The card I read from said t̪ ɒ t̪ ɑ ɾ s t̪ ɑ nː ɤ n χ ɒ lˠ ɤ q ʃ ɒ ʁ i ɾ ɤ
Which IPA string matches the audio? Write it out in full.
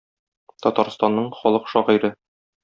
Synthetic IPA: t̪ ɒ t̪ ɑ ɾ s t̪ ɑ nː ɤ ɴ χ ɒ lˠ ɤ q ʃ ɒ ʁ i ɾ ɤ